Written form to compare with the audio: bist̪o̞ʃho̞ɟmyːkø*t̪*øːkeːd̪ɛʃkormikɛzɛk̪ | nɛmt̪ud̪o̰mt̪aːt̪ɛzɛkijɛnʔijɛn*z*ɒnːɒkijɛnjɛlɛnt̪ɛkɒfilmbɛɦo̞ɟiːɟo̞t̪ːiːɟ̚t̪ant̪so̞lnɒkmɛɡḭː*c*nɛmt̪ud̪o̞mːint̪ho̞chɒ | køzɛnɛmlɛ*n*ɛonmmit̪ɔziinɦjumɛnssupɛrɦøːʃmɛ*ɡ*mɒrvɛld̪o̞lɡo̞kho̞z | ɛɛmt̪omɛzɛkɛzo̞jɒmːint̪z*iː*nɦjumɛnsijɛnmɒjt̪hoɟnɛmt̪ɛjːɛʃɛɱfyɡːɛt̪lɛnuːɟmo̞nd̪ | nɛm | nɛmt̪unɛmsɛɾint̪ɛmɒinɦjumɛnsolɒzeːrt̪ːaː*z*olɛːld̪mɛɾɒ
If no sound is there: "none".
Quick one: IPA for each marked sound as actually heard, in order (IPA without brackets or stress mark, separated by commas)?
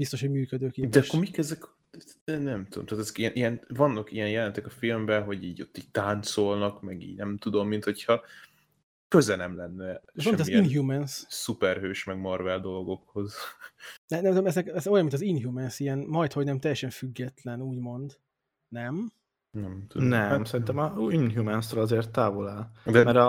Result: d̪, v, ɟ, nː, ɡ, i, v